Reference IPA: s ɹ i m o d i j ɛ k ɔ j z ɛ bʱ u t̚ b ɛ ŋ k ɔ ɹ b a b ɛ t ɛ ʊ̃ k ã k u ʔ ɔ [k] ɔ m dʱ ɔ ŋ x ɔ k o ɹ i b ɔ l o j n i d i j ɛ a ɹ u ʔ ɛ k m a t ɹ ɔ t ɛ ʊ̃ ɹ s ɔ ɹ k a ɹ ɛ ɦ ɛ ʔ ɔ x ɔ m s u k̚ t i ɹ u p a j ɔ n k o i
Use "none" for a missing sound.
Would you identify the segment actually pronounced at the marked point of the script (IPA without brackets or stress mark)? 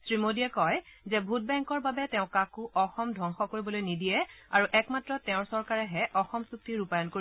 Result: x